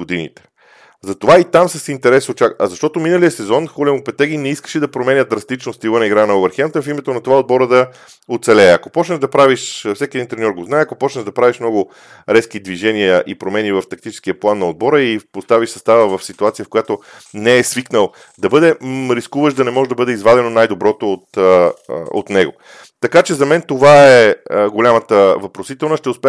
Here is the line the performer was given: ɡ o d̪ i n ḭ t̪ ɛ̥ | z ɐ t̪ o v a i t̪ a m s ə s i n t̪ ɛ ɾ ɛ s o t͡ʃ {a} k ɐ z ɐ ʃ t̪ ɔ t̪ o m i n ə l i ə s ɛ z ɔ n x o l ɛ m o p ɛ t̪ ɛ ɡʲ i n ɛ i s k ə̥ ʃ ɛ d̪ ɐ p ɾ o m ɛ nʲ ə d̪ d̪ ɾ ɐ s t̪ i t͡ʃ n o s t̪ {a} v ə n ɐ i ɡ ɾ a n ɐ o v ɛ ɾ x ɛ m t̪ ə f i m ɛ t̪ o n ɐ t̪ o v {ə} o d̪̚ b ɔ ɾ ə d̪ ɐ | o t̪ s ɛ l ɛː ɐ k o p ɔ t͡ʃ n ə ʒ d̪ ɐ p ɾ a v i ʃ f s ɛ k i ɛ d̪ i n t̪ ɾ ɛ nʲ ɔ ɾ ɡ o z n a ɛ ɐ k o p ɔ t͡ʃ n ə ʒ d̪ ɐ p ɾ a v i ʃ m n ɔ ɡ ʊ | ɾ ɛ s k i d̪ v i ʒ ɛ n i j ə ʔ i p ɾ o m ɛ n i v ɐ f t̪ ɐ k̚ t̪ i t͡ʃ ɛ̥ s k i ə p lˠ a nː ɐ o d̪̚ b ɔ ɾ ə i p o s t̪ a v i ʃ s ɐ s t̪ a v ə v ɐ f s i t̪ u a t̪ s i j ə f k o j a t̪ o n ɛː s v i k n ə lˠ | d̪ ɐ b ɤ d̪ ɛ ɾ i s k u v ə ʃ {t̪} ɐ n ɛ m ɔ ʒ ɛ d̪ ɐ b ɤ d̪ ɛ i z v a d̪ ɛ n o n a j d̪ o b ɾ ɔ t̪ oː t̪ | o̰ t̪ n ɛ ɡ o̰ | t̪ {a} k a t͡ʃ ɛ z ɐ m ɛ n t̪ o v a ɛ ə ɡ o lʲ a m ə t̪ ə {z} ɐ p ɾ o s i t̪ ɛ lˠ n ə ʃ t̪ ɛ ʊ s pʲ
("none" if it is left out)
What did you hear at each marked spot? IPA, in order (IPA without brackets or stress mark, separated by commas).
a, i, a, d̪, ɐ, v